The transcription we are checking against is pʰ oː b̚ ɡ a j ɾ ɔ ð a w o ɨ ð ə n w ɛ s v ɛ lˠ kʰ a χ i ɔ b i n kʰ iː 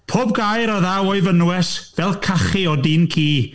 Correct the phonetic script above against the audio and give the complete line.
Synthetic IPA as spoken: pʰ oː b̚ ɡ a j ɾ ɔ ð a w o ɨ v ə n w ɛ s v ɛ lˠ kʰ a χ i ɔ d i n kʰ iː